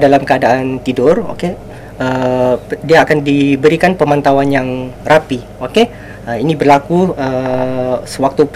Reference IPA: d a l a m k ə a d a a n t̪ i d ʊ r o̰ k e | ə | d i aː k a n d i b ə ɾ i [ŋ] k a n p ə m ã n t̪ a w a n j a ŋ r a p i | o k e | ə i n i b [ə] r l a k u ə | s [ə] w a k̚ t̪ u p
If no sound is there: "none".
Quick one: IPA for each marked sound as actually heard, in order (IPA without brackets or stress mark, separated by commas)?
none, ə, ə